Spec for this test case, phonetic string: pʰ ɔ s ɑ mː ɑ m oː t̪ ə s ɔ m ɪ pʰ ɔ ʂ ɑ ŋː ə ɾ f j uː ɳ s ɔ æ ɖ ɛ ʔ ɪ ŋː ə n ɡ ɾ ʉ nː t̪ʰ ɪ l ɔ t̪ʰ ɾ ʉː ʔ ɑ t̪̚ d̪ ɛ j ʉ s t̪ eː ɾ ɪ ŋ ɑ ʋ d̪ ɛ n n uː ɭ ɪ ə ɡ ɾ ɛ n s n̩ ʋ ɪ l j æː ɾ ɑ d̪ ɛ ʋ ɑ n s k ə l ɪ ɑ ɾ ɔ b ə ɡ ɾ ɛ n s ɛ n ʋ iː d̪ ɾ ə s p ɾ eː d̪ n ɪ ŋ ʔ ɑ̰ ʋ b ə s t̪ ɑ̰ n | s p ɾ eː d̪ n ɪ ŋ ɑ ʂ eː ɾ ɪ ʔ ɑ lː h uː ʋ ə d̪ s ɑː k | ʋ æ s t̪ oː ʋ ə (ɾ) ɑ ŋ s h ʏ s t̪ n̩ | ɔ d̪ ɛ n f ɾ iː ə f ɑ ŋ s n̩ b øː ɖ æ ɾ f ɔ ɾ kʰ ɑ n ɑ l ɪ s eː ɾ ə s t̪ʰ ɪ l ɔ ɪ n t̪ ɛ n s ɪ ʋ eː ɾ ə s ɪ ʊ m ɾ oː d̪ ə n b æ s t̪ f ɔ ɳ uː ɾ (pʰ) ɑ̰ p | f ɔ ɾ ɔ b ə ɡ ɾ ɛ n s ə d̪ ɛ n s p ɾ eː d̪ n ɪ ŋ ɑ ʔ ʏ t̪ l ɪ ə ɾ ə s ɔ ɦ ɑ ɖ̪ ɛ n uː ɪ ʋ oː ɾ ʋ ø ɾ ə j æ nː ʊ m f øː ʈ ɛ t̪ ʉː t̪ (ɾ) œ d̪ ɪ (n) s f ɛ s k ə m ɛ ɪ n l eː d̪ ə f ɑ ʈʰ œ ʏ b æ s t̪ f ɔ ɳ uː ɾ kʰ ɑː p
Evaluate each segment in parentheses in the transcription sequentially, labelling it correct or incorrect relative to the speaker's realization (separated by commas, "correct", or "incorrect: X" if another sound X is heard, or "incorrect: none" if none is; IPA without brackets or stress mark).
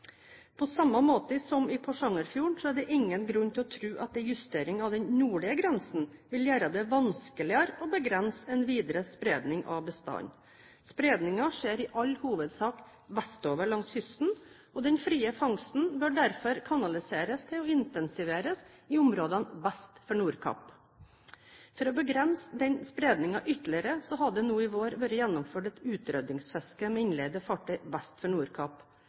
incorrect: ɭ, incorrect: kʰ, correct, incorrect: ŋ